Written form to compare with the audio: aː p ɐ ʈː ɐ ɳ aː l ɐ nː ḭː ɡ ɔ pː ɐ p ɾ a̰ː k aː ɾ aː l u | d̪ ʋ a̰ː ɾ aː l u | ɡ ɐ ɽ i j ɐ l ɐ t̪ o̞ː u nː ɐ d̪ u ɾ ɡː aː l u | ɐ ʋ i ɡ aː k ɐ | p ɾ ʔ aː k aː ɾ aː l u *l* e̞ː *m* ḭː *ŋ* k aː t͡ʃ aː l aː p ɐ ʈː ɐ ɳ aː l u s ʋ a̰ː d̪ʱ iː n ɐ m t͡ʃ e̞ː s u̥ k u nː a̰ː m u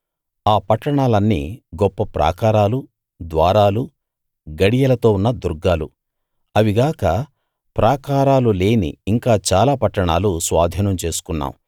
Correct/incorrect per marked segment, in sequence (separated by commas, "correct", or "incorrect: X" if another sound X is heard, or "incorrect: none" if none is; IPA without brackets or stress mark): correct, incorrect: n, correct